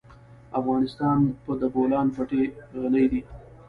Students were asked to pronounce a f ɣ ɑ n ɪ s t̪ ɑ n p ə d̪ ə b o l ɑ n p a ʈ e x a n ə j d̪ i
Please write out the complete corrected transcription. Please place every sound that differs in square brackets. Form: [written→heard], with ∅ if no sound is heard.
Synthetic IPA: a f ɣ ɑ n ɪ s t̪ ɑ n p ə d̪ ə b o l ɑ n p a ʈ e [x→ɣ] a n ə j d̪ i